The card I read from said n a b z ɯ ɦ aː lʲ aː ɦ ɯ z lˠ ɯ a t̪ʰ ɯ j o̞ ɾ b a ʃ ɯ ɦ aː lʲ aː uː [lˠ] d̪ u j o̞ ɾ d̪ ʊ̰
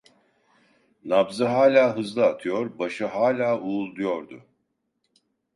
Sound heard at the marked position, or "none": lˠ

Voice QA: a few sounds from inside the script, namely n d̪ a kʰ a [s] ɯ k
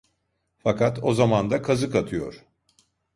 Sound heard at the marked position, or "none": z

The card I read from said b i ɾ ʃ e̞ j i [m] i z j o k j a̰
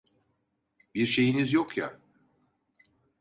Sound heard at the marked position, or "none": n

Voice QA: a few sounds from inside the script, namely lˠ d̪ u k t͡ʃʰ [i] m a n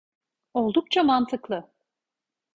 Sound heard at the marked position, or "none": a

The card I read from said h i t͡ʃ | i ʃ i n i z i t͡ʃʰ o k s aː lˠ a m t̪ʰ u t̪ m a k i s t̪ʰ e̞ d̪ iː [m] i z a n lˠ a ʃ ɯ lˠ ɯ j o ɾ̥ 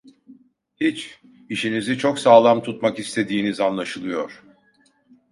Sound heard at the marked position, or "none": n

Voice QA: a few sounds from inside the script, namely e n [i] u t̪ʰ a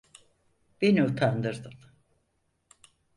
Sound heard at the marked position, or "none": i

